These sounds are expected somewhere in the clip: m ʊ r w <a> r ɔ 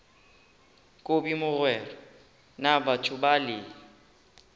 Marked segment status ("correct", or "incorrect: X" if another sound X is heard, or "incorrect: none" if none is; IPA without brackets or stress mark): incorrect: ɛ